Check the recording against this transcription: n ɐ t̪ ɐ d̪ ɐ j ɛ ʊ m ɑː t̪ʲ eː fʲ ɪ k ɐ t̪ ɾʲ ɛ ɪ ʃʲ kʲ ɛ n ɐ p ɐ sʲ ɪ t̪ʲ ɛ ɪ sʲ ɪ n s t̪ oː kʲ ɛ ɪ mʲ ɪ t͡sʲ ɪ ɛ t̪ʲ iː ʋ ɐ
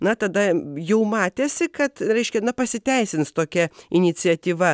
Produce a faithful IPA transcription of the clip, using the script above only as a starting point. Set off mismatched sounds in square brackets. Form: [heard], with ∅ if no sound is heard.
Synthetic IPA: n ɐ t̪ ɐ d̪ ɐ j ɛ ʊ m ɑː t̪ʲ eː [sʲ] ɪ k ɐ t̪ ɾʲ ɛ ɪ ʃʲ kʲ ɛ n ɐ p ɐ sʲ ɪ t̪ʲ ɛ ɪ sʲ ɪ n s t̪ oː kʲ ɛ ɪ [nʲ] ɪ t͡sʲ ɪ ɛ t̪ʲ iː ʋ ɐ